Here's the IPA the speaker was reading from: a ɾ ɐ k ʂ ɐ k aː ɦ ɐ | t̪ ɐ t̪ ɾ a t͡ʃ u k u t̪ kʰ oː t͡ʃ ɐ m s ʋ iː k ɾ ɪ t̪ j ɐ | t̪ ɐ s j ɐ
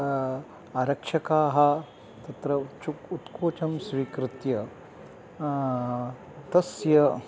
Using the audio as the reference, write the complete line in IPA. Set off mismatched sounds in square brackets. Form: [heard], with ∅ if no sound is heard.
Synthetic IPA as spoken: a ɾ ɐ k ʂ ɐ k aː ɦ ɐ | t̪ ɐ t̪ ɾ [ɐ] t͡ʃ u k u t̪ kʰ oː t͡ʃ ɐ m s ʋ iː k ɾ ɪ t̪ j ɐ | t̪ ɐ s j ɐ